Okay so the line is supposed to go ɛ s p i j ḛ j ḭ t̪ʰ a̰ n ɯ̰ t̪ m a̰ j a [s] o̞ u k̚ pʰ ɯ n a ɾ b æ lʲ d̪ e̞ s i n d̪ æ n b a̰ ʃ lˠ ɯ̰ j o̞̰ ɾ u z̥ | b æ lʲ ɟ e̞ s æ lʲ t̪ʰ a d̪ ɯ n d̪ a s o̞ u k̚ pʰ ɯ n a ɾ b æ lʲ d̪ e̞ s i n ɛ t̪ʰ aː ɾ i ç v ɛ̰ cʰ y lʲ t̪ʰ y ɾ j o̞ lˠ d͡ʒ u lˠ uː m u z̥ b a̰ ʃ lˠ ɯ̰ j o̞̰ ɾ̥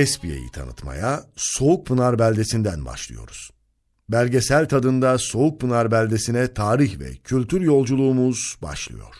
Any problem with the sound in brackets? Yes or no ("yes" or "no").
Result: no